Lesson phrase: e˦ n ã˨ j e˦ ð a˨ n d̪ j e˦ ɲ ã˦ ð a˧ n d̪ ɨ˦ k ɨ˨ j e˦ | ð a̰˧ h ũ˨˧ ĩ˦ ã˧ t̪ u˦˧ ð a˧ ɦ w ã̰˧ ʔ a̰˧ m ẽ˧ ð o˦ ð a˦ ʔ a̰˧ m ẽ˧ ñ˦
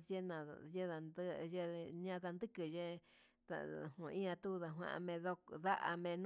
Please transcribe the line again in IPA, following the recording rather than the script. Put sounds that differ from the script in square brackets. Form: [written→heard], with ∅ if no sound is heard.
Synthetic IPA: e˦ n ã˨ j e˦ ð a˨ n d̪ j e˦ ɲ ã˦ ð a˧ n d̪ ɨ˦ k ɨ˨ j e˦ | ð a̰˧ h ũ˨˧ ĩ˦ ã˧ t̪ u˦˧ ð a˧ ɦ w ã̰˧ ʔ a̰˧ m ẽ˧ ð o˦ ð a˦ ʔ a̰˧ m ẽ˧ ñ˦